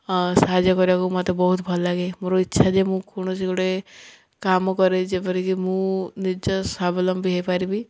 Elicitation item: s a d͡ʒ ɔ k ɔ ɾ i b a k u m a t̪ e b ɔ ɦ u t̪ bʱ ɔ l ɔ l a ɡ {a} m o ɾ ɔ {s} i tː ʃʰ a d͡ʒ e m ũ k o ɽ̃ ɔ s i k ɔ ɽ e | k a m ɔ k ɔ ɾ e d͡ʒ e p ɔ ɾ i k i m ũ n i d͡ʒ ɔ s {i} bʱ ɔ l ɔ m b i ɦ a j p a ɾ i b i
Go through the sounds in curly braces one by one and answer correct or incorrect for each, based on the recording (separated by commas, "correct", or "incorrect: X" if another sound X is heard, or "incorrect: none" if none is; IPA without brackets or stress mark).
incorrect: e, incorrect: none, incorrect: a